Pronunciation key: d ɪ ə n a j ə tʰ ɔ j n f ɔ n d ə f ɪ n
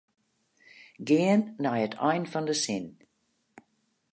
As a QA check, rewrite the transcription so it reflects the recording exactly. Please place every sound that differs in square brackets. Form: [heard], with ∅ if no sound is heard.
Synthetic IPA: [ɡ] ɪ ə [nː] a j ə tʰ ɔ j n f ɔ n d ə [s] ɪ n